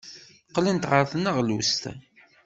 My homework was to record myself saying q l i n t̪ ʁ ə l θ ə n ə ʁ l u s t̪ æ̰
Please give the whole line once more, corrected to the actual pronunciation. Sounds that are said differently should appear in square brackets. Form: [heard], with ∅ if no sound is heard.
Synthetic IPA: q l i n t̪ ʁ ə [ɾ] θ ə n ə ʁ l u s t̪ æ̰

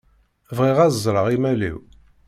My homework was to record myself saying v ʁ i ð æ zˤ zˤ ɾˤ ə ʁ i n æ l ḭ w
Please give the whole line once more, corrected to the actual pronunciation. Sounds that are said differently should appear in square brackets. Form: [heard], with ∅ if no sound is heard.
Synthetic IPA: v ʁ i [ʁ] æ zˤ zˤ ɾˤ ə ʁ i [m] æ l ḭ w

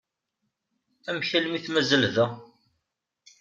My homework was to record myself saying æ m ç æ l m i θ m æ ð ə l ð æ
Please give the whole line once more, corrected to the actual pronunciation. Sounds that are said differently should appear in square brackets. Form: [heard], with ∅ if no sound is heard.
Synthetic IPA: æ m ç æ l m i θ m æ [z] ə l ð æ

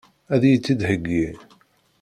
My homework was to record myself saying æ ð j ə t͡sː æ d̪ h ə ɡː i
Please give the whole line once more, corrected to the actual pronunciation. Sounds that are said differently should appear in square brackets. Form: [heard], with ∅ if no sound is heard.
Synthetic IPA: æ ð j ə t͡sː [i] d̪ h ə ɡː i

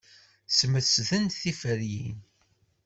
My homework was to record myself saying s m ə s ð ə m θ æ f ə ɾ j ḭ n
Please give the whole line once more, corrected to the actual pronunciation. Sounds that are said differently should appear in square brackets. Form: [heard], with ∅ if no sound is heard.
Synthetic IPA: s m ə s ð ə [n] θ [i] f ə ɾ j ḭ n

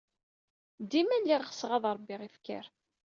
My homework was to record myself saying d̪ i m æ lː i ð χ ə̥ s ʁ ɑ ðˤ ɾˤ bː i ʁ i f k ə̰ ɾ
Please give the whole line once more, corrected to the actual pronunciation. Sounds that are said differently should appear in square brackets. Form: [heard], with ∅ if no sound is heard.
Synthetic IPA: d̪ i m æ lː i [ʁ] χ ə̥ s ʁ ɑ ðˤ ɾˤ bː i ʁ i f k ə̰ ɾ

